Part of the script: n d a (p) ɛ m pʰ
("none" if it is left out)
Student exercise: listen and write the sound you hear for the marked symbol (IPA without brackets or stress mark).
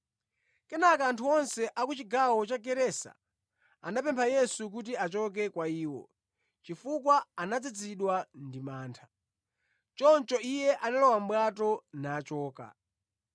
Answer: p